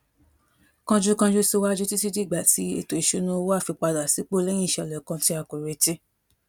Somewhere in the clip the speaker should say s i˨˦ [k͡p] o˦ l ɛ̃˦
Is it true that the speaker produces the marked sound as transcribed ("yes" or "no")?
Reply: yes